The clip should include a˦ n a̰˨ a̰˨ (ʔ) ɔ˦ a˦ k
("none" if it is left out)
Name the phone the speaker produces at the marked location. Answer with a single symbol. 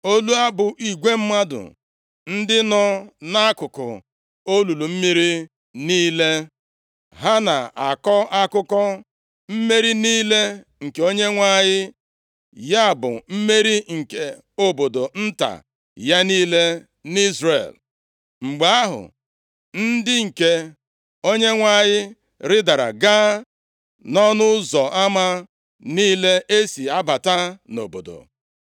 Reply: k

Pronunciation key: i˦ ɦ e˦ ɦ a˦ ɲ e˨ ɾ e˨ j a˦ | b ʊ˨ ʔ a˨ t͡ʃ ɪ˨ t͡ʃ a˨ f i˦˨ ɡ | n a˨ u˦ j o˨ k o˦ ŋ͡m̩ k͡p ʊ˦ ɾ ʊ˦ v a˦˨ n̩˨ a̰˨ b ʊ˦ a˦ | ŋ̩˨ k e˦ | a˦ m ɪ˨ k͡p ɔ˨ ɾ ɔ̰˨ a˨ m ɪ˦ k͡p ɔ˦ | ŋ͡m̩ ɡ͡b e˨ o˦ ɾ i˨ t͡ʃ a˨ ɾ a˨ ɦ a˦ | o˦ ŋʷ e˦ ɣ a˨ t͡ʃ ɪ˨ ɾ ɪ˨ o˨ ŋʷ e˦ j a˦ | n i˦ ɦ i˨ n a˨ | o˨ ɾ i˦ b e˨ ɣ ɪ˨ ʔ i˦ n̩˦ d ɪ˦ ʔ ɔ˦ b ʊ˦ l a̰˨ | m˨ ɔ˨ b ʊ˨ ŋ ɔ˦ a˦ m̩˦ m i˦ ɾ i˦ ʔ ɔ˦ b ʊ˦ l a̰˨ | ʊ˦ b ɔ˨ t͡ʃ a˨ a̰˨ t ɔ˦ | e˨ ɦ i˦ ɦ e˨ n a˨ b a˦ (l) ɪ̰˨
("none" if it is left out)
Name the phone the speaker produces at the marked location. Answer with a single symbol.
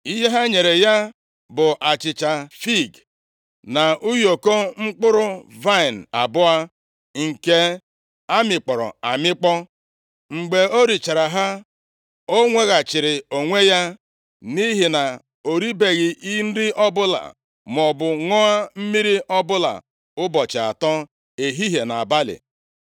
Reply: l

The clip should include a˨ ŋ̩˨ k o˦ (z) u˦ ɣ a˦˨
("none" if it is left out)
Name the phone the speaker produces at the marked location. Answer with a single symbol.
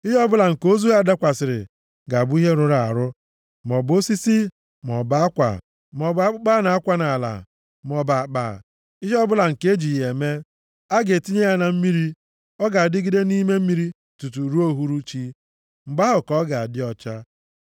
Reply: z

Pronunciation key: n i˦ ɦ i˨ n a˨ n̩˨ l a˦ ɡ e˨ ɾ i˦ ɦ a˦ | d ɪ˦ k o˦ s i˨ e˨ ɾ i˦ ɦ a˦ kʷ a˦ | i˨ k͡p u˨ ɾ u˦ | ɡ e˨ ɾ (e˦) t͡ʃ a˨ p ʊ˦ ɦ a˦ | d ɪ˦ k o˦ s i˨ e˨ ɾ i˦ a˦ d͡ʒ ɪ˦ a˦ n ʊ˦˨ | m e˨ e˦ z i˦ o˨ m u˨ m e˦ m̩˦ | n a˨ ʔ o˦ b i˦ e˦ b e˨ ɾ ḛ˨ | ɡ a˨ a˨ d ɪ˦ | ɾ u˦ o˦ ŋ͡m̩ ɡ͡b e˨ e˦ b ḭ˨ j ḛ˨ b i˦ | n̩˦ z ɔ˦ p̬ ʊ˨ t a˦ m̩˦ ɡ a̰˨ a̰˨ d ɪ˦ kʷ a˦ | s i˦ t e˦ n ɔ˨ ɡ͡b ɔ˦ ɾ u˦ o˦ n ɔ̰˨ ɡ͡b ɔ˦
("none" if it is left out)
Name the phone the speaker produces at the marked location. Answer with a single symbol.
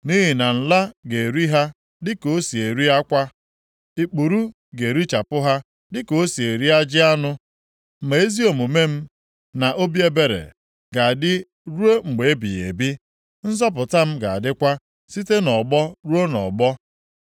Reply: i˦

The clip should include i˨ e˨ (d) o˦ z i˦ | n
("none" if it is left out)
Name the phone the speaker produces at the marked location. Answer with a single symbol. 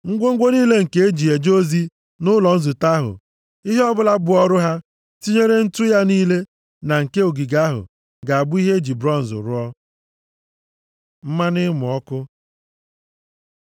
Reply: d͡ʒ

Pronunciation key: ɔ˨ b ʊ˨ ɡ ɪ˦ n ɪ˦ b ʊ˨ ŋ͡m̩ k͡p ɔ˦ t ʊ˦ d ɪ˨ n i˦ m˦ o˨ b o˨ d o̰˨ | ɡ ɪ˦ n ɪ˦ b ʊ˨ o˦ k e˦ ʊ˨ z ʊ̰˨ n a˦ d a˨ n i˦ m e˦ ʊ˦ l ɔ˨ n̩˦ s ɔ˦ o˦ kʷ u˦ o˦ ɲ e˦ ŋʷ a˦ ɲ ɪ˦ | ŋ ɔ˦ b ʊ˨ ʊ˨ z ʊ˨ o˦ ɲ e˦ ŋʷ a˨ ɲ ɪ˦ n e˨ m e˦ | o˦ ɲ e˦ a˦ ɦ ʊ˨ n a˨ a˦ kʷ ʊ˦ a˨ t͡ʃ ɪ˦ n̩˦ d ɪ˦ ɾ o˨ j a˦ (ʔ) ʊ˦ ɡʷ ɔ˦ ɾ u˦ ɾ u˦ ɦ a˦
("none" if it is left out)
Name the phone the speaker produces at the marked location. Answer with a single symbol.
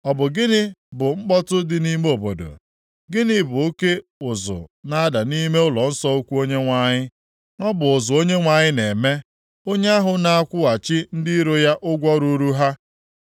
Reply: ʔ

